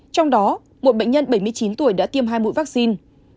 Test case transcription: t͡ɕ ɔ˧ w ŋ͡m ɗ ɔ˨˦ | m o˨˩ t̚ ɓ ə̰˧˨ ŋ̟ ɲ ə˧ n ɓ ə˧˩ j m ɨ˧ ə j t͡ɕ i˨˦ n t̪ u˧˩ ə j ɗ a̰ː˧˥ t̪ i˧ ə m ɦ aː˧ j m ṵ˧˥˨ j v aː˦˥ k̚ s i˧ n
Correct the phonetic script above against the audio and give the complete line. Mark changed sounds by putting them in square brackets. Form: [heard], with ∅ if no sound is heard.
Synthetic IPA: t͡ɕ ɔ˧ w ŋ͡m ɗ ɔ˨˦ | m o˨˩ t̚ ɓ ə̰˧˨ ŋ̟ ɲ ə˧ n ɓ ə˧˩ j m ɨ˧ ə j t͡ɕ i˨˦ n t̪ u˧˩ ə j ɗ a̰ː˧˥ t̪ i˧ ə m ɦ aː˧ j m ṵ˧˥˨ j v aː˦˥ k̚ s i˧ n